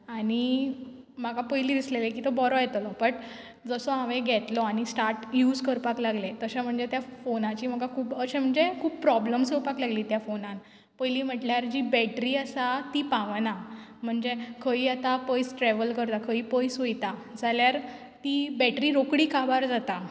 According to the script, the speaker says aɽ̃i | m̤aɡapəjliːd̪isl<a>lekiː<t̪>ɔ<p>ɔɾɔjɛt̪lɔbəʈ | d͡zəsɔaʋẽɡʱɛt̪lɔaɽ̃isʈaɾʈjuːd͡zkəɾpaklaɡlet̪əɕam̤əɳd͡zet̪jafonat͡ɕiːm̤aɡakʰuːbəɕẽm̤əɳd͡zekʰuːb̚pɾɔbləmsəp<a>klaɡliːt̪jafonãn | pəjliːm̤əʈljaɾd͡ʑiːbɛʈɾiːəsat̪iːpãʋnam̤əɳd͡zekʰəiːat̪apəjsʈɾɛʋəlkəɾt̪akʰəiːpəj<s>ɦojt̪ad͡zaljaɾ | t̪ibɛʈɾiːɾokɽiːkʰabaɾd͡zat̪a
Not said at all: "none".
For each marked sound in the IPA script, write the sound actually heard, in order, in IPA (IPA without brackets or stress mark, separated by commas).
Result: e, t̪, b, a, s